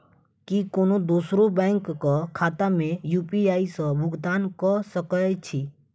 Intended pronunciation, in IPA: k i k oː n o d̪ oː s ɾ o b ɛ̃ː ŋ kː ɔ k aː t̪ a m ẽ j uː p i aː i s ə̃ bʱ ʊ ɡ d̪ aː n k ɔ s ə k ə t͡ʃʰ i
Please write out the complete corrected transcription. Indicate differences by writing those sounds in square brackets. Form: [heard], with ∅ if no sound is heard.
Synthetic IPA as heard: k i k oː n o d̪ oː s ɾ o b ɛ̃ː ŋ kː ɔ [kʰ] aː t̪ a m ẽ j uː p i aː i s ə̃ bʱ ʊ ɡ d̪ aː n k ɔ s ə k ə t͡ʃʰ i